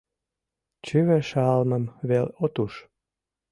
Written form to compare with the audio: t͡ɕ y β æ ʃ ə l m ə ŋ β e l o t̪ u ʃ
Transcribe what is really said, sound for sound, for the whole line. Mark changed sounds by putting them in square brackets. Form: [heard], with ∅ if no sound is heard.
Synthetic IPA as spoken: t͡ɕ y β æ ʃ [ɑ] l m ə [m] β e l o t̪ u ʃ